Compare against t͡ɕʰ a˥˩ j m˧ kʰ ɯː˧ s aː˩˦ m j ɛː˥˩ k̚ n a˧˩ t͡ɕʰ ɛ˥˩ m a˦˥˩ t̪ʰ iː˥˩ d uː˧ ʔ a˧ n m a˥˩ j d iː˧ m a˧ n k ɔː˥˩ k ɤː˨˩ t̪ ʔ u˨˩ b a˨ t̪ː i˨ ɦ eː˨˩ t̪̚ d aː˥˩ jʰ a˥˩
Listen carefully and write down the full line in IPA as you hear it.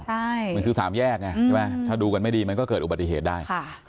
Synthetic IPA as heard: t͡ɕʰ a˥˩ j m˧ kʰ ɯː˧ s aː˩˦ m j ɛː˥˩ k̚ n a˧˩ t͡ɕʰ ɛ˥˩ m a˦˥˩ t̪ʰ aː˥˩ d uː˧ k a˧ n m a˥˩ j d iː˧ m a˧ n k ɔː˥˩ k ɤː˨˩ t̪ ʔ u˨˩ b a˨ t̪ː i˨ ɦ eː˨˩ t̪̚ d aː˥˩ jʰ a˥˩